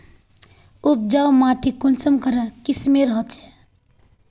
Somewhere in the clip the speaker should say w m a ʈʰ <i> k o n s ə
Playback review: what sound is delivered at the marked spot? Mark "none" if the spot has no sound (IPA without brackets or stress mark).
i